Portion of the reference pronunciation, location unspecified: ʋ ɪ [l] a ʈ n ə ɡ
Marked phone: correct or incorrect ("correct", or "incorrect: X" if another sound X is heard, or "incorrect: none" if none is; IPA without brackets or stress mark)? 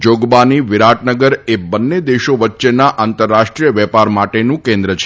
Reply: incorrect: ɾ